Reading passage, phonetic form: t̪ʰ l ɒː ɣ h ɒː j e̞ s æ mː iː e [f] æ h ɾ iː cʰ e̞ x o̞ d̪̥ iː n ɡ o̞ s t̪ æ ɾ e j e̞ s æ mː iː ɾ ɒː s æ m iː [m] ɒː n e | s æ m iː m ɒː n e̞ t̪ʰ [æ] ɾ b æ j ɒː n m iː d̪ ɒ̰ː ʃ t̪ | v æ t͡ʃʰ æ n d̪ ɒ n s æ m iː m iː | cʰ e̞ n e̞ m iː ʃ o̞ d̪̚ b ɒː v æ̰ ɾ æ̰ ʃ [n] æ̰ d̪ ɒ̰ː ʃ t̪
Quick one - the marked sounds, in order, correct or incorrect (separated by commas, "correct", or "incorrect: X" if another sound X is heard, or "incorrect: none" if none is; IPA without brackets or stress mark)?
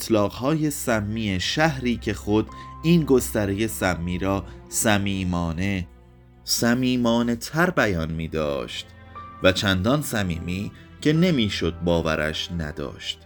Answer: incorrect: ʃ, correct, correct, correct